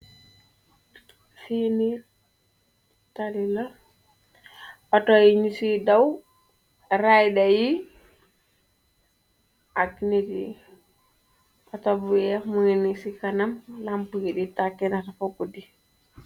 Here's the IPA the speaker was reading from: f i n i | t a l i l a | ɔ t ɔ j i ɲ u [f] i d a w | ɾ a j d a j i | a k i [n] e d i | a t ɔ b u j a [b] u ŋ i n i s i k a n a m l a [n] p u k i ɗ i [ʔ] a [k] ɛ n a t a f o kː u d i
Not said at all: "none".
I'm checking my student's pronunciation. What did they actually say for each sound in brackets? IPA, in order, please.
s, n, m, m, t, k

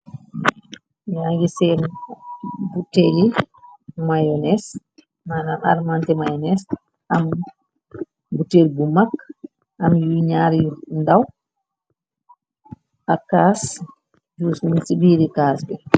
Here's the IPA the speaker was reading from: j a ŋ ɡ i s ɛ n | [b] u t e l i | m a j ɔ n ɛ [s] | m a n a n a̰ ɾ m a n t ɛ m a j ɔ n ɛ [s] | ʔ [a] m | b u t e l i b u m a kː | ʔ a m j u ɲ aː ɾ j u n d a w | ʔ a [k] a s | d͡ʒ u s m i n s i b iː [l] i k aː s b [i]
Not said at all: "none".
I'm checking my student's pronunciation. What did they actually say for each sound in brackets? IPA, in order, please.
b, s, s, a, k, ɾ, ɛ

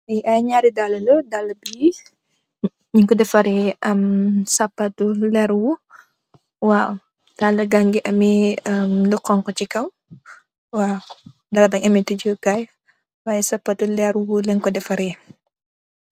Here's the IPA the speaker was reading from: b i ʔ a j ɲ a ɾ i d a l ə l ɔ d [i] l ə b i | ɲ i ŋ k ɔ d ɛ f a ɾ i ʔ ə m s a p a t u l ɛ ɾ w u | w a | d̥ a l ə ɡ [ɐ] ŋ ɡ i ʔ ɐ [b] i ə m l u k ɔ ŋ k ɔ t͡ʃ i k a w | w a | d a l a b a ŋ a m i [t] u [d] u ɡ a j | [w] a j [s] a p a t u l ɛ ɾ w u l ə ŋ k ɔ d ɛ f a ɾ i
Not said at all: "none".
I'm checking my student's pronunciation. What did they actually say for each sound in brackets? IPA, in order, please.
a, a, m, t, d͡ʒ, w, s

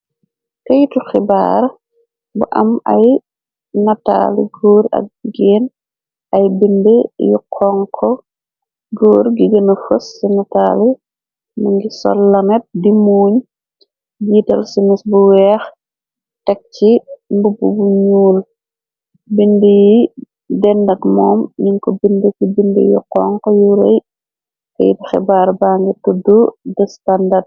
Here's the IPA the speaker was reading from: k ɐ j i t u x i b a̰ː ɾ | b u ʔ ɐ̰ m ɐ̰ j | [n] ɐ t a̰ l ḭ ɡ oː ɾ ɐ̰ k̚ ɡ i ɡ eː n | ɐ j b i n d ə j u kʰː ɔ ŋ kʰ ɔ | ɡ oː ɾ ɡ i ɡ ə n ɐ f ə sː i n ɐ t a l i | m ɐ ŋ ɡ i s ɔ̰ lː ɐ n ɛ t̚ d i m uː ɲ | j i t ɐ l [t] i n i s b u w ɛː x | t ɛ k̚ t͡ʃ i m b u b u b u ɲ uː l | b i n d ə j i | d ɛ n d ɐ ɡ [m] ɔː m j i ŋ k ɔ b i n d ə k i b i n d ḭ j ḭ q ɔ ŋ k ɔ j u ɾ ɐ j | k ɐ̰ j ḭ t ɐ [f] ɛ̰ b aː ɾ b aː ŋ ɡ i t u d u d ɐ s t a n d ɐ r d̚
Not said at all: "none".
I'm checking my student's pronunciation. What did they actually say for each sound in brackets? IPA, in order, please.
n, s, m, x

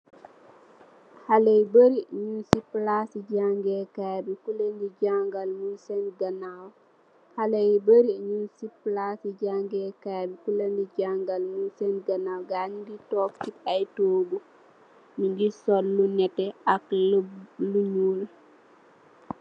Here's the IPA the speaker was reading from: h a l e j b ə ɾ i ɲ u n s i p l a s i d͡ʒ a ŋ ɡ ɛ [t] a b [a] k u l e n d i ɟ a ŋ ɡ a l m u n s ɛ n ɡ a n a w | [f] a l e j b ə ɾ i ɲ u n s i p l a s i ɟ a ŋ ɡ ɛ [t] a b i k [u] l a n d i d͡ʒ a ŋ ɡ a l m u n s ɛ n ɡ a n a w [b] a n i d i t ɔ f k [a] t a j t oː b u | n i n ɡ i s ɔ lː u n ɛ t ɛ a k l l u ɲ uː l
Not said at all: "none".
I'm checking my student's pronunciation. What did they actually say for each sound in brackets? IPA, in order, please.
k, i, h, k, u, ɡ, i

